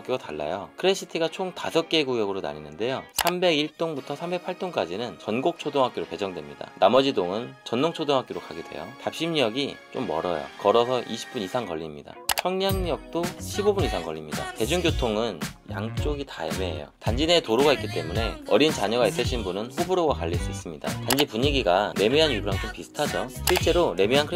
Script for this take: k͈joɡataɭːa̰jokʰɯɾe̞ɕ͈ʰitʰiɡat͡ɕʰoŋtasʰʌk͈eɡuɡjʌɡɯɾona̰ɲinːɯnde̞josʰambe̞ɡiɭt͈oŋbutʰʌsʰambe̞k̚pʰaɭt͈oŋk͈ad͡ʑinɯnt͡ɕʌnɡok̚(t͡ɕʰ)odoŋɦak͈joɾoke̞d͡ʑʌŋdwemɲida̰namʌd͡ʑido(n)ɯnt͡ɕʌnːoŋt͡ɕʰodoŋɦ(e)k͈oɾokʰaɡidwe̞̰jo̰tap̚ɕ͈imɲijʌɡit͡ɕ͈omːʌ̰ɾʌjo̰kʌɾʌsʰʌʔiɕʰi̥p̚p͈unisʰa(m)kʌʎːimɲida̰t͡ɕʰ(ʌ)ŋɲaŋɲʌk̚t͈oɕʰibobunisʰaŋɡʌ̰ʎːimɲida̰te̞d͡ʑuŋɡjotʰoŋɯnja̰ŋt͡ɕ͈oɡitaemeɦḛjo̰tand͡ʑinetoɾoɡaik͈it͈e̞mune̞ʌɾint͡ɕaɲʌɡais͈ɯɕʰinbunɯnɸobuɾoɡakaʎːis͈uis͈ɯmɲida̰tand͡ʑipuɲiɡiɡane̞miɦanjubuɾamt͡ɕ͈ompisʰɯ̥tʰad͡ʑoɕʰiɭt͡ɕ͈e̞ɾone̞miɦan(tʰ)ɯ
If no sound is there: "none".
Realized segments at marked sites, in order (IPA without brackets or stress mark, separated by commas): t͡ɕʰ, ŋ, a, ŋ, ʌ, kʰ